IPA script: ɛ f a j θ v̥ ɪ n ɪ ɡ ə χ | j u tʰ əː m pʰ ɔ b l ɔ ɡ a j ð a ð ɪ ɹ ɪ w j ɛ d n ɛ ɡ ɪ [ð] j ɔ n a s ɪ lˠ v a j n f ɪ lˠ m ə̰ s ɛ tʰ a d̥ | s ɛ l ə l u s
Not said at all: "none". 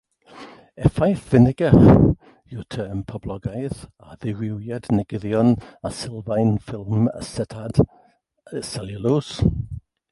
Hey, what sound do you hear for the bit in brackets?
ð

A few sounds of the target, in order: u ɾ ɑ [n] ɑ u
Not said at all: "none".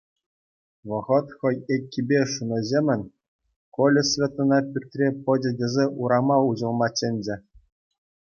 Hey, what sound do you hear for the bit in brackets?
m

